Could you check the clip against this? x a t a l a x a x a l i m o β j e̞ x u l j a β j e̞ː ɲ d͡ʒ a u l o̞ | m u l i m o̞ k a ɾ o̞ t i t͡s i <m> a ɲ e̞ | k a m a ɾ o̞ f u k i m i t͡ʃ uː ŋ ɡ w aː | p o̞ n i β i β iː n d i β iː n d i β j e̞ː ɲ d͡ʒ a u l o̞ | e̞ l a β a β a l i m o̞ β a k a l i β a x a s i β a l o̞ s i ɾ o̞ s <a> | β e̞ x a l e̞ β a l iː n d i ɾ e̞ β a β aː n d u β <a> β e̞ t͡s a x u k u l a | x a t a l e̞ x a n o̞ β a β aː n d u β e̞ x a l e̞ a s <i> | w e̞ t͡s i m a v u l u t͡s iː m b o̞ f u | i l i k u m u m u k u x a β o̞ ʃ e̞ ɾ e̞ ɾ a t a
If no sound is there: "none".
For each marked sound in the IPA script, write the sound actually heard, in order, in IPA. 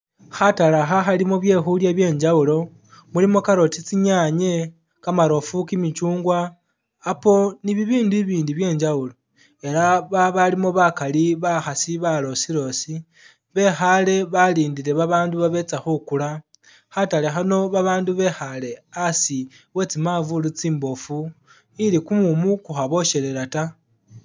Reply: ɲ, i, a, i

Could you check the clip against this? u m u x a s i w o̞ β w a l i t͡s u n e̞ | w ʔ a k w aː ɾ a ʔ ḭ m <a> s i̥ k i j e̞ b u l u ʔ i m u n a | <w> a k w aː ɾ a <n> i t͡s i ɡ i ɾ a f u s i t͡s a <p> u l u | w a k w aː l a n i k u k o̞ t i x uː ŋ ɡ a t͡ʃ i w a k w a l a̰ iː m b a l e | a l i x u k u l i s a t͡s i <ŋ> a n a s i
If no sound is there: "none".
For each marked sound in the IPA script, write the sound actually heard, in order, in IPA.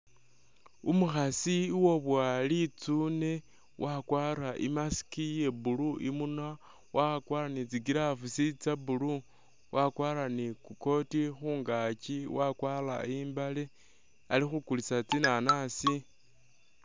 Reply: a, w, n, b, n

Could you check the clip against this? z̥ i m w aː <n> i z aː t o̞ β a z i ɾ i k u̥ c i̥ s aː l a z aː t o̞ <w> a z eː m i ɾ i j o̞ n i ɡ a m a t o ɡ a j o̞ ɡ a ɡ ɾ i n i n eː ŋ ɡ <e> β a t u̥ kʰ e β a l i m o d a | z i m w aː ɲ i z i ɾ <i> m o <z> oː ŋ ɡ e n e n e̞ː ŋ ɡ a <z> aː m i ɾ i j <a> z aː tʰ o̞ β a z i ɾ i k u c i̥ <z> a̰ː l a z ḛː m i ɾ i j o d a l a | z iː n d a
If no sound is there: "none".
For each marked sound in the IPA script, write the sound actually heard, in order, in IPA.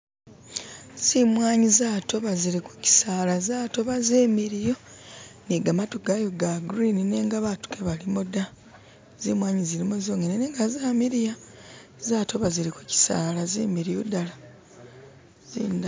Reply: ɲ, β, a, i, z, z, a, s

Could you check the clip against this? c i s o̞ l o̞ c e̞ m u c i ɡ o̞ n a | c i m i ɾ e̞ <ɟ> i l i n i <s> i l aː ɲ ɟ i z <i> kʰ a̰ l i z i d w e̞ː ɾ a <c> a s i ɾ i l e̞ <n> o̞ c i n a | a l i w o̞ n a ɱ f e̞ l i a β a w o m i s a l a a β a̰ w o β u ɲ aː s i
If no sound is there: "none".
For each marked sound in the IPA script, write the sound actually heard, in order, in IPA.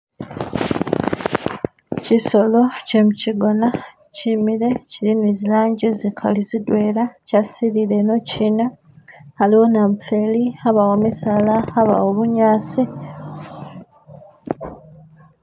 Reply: c, z, i, c, n

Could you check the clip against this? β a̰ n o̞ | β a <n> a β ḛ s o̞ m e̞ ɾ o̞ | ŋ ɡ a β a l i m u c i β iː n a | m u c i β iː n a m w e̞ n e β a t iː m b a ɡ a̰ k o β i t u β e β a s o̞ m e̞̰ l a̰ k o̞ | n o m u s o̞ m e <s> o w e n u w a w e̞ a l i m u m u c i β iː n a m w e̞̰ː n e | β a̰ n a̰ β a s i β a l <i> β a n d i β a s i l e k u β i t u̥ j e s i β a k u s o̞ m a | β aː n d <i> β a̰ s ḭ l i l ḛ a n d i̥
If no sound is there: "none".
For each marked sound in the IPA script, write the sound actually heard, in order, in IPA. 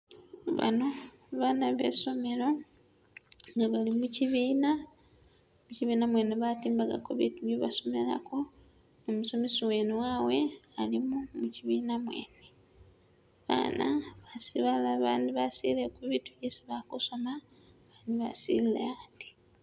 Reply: n, s, a, i

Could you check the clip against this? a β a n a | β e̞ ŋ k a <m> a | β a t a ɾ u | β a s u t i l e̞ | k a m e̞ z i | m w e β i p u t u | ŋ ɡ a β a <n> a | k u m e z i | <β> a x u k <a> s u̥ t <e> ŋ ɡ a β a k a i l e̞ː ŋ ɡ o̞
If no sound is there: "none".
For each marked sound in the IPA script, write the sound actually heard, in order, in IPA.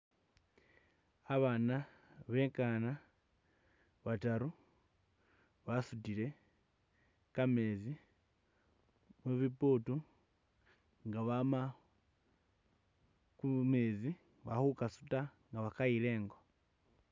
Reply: n, m, β, a, a

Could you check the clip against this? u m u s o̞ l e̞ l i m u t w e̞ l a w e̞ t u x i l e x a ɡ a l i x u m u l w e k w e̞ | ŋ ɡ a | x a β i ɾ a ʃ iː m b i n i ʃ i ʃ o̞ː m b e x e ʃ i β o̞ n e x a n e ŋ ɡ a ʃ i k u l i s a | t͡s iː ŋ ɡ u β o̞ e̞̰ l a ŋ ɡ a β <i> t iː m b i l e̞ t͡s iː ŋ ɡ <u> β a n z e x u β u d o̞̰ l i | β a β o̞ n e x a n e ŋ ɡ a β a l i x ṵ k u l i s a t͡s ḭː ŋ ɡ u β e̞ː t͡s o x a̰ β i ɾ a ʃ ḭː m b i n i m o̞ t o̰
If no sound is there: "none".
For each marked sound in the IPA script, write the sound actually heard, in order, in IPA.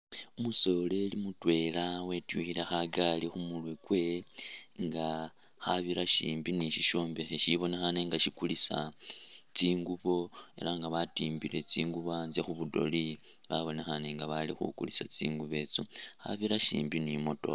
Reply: a, u

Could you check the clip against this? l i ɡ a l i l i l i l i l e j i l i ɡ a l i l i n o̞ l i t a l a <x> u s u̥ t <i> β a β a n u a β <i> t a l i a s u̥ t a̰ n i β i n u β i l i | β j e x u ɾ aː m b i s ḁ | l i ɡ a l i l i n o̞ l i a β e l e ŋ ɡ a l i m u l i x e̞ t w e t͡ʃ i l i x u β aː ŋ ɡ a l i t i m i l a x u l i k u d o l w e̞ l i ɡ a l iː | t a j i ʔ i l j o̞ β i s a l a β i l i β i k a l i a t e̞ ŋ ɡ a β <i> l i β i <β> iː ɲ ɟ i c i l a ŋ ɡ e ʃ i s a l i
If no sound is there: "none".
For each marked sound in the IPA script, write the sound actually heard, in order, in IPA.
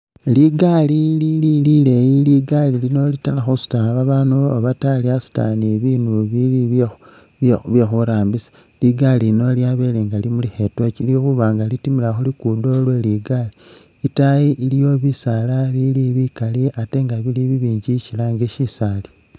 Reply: x, a, a, i, β

